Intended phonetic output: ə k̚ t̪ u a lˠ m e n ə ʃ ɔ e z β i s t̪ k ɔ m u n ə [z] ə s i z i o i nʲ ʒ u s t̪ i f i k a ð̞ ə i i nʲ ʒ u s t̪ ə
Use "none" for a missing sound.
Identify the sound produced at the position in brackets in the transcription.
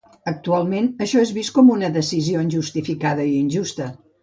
ð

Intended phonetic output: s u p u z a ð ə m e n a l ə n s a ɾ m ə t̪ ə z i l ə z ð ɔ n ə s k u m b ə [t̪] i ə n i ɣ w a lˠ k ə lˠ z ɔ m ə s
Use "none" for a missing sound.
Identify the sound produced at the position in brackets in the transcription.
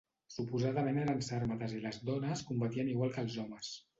t̪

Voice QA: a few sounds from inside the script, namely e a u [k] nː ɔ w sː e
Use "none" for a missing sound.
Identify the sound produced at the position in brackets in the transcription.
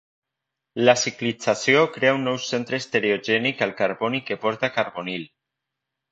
none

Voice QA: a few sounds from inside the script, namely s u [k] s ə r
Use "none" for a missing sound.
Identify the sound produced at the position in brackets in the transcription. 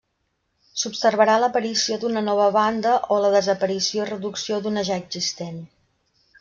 p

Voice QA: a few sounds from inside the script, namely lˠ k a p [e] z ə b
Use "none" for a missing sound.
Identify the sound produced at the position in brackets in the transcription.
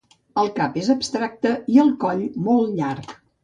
e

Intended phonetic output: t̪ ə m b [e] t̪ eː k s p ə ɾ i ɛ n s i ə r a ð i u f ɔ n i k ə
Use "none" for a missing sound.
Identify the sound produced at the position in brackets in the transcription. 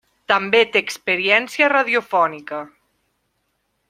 e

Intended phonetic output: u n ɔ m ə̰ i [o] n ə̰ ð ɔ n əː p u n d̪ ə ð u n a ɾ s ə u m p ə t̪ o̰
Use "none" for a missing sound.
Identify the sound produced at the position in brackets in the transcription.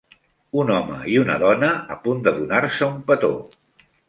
u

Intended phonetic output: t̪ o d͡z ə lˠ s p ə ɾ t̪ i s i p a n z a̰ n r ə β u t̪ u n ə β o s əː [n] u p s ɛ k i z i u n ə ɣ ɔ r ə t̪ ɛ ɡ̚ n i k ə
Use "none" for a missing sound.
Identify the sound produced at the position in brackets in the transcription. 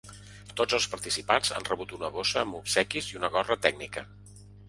m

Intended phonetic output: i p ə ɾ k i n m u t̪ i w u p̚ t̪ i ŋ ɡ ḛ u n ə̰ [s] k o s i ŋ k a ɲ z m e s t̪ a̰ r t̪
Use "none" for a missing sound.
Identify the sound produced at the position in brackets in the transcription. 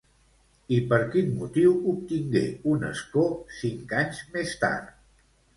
s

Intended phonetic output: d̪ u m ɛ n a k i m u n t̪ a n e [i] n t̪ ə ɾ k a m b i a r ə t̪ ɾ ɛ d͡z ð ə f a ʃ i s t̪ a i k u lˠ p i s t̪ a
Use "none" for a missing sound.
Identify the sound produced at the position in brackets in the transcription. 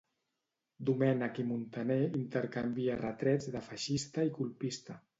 i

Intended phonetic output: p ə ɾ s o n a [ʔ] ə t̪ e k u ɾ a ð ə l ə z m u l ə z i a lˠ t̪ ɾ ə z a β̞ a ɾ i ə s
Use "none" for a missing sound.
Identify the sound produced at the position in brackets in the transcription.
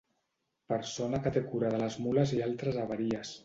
k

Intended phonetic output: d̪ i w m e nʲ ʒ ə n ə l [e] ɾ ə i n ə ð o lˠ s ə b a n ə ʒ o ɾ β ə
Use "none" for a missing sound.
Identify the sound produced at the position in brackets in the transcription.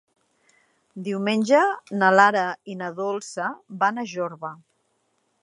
a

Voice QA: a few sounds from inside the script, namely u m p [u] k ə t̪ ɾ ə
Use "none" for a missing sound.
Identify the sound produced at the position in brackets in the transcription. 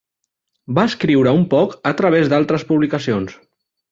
ɔ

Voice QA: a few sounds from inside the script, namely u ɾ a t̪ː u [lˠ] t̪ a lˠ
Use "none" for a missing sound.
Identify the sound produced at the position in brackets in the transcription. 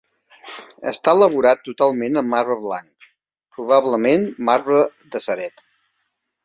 none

